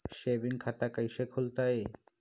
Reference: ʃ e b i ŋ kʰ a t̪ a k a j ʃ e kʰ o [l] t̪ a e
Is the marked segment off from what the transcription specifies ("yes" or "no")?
no